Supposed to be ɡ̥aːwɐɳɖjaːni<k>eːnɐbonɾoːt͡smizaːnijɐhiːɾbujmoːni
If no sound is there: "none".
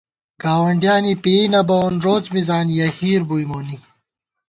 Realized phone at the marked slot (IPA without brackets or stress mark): p